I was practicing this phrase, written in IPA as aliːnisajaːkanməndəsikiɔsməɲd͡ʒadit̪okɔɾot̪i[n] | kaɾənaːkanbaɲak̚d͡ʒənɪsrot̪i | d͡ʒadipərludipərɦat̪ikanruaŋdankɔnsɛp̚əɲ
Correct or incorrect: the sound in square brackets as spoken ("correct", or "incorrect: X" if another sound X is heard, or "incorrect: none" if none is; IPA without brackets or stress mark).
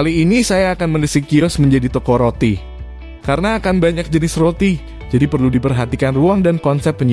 incorrect: none